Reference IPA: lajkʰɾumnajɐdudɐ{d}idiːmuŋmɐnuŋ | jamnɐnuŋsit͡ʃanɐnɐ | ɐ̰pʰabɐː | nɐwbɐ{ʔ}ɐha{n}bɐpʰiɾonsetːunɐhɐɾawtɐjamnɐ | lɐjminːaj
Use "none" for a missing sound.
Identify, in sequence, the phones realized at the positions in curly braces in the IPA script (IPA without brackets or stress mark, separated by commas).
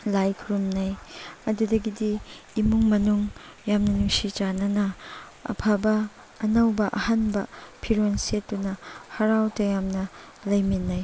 ɡ, ʔ, n